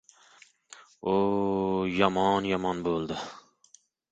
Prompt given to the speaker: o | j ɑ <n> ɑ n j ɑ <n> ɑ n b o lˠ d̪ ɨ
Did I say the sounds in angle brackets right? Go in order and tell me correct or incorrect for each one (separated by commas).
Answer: incorrect, incorrect